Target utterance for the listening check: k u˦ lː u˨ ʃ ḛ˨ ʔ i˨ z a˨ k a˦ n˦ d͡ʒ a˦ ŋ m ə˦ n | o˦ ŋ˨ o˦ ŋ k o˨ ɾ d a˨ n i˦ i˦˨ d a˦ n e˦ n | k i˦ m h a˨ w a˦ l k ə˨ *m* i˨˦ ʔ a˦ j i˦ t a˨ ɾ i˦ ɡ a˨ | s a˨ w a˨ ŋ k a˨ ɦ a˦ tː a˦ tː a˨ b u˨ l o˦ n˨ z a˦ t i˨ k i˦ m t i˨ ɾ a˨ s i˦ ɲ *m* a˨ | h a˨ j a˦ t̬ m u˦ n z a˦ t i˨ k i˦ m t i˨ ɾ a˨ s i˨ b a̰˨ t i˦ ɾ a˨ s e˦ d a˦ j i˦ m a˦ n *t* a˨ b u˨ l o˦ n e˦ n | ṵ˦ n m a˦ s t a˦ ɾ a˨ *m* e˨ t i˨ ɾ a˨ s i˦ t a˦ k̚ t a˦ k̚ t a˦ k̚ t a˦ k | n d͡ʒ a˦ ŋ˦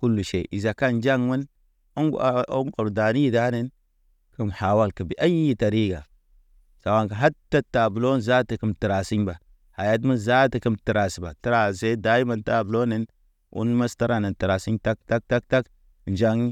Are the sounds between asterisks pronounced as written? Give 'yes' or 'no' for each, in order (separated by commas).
no, no, yes, no